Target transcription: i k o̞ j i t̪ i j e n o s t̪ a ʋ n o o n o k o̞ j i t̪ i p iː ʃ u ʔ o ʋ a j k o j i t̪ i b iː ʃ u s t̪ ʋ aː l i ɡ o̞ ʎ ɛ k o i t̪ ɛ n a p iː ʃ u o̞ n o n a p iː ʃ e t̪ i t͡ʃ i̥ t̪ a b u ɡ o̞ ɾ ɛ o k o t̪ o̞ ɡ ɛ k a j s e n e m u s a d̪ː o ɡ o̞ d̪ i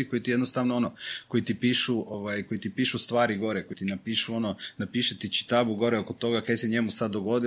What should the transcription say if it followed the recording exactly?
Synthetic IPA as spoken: i k o̞ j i t̪ i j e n o s t̪ a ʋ n o o n o k o̞ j i t̪ i p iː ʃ u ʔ o ʋ a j k o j i t̪ i p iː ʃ u s t̪ ʋ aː ɾ i ɡ o̞ ɾ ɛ k o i t̪ i n a p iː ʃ u o̞ n o n a p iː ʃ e t̪ i t͡ʃ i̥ t̪ a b u ɡ o̞ ɾ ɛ o k o t̪ o̞ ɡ a k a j s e ɲ e m u s a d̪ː o ɡ o̞ d̪ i